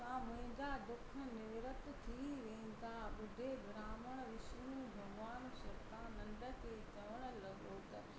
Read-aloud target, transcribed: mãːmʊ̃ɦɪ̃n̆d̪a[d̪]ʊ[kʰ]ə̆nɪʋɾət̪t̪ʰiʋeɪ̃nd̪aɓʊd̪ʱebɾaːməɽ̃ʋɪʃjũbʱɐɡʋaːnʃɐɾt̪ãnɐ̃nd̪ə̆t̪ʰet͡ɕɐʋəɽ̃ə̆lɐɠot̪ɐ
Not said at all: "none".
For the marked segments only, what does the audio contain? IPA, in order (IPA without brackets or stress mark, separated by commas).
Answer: d̪, kʰ